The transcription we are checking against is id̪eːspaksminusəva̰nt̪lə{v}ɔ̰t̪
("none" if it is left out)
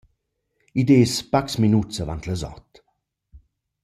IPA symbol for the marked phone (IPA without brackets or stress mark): z